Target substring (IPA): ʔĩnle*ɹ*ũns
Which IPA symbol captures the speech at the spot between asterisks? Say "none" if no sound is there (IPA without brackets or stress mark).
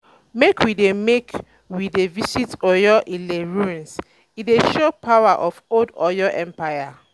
ɹ